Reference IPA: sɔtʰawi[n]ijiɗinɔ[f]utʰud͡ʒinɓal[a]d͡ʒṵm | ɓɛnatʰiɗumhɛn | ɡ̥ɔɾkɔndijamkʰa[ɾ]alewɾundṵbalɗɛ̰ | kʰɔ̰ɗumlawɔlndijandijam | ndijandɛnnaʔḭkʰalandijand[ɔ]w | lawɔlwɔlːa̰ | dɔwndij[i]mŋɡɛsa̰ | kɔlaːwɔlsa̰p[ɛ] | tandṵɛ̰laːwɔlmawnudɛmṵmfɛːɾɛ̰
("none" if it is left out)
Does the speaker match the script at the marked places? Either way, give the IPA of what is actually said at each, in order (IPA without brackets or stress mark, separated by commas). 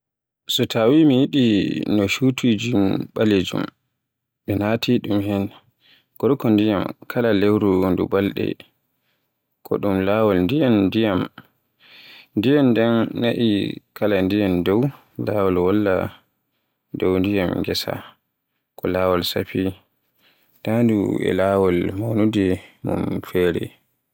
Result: m, ʃ, e, l, ɔ, a, i